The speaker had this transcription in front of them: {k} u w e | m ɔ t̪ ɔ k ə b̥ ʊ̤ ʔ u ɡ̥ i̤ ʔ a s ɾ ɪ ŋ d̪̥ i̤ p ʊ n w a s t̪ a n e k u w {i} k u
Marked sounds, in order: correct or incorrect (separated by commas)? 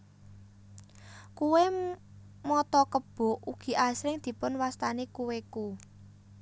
correct, incorrect